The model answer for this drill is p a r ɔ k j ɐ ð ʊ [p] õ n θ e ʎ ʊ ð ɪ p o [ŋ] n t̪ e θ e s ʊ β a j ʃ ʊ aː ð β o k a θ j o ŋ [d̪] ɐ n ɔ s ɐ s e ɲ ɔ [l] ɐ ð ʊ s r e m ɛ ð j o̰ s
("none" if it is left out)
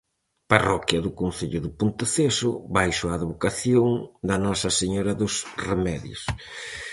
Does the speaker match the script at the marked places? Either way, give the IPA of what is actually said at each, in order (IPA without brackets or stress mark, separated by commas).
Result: k, none, d̪, ɾ